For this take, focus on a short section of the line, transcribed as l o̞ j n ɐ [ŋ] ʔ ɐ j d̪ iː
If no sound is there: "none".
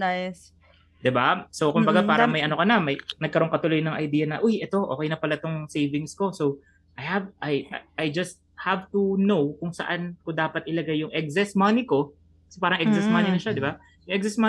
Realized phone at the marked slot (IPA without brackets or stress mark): ŋ